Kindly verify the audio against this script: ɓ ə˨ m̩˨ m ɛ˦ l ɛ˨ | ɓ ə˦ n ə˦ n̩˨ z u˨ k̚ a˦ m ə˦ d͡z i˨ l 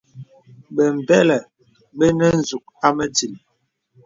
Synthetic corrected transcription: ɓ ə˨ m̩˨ b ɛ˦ l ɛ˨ | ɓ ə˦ n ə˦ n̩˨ z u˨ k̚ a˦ m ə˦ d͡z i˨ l